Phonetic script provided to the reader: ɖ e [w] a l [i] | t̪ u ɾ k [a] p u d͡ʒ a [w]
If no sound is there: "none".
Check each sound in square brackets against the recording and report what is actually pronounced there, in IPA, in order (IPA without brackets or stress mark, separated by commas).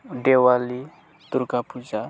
w, i, a, none